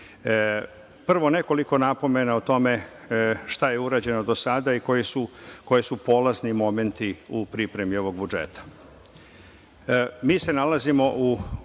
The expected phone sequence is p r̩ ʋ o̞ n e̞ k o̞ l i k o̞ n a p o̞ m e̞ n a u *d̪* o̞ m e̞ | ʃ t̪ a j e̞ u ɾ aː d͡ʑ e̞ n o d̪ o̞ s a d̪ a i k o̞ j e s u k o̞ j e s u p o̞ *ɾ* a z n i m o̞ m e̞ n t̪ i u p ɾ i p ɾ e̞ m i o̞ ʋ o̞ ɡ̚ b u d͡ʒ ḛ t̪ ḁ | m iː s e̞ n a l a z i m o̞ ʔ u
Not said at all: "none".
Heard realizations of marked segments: t̪, l

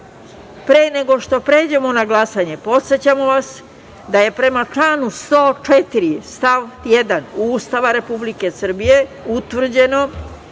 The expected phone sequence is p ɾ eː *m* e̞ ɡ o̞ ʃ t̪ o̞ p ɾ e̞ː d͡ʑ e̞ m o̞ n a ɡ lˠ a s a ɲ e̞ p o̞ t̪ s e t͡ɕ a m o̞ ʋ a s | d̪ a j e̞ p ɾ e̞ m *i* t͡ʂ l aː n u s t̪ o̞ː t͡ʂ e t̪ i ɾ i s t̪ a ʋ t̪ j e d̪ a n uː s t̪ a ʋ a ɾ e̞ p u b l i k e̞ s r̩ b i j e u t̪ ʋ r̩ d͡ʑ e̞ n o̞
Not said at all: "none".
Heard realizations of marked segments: n, a

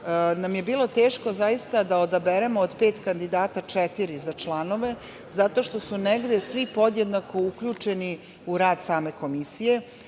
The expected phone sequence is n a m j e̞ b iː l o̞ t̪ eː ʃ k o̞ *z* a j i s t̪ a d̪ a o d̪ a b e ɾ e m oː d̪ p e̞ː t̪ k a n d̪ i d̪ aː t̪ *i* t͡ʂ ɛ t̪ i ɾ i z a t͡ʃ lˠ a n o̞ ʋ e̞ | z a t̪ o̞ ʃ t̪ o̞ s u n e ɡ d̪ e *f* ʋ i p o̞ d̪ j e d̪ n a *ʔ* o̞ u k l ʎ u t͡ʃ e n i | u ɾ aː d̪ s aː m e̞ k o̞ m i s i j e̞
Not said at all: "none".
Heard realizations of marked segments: z, a, s, k

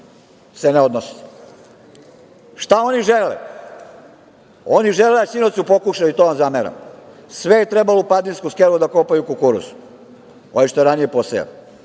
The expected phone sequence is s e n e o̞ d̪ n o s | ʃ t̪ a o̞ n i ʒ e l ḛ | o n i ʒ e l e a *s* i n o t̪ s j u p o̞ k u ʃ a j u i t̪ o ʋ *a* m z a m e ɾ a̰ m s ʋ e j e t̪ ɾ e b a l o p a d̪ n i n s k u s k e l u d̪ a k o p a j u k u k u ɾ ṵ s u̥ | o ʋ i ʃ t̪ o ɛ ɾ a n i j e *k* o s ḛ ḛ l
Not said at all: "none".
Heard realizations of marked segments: s, a, p

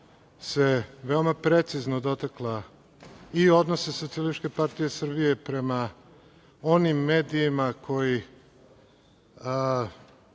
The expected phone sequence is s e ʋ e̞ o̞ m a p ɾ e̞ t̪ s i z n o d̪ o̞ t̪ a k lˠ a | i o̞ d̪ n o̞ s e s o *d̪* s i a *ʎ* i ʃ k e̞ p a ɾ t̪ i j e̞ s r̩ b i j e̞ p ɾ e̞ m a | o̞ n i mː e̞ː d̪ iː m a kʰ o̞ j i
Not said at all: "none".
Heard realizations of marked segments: t̪, l

